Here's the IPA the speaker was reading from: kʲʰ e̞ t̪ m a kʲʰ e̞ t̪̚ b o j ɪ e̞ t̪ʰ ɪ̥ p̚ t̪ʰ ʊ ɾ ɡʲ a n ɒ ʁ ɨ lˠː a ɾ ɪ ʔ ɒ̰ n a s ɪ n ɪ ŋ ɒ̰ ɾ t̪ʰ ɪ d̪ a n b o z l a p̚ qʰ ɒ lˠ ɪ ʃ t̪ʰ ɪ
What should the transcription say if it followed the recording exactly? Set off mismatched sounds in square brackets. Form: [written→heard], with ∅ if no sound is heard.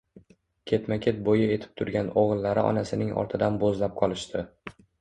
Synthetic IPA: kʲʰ e̞ t̪ m a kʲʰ e̞ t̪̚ b o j ɪ e̞ t̪ʰ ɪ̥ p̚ t̪ʰ ʊ ɾ ɡʲ a n [ɒ→o] ʁ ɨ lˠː a ɾ ɪ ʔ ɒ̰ n a s ɪ n ɪ ŋ ɒ̰ ɾ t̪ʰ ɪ d̪ a n b o z l a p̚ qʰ ɒ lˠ ɪ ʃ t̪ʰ ɪ